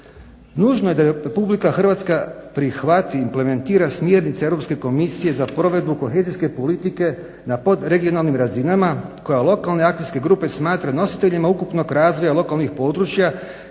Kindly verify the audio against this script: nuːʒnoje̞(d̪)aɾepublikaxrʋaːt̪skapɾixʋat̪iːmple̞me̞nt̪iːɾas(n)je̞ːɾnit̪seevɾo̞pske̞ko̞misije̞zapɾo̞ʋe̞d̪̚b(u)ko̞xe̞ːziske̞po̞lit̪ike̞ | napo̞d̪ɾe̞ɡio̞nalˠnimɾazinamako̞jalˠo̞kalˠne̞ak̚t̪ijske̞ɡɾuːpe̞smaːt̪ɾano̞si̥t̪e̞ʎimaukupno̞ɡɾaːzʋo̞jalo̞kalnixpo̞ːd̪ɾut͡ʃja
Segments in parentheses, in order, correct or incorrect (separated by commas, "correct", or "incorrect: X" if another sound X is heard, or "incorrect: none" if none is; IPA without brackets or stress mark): correct, incorrect: m, correct